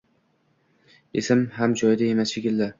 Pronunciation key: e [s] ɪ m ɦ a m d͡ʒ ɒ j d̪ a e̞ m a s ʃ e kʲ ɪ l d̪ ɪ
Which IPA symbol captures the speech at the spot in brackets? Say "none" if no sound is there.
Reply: s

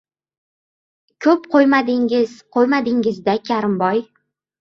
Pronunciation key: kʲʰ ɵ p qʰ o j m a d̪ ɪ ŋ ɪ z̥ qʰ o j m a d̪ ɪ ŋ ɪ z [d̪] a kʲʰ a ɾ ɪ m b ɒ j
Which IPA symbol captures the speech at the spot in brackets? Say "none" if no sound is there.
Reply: d̪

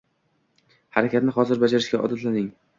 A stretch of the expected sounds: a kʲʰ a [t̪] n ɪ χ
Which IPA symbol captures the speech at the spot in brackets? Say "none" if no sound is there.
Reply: t̪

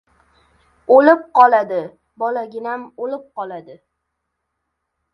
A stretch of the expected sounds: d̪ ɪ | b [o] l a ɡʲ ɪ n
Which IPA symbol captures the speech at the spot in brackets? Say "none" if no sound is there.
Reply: ɒ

